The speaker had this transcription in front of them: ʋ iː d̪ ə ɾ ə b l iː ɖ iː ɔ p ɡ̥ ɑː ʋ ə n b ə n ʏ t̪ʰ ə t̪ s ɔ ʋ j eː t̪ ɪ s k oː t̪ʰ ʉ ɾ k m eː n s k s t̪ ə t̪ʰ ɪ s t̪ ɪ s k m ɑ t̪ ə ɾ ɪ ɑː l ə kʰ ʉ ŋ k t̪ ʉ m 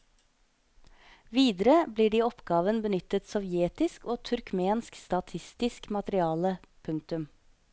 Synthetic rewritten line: ʋ iː d̪ ə ɾ ə b l iː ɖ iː ɔ p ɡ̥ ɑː ʋ ə n b ə n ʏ t̪ ə t̪ s ɔ ʋ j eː t̪ ɪ s k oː t̪ʰ ʉ ɾ k m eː n s k s t̪ ɑ t̪ʰ ɪ s t̪ ɪ s k m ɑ t̪ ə ɾ ɪ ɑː l ə pʰ ʉ ŋ k t̪ ʉ m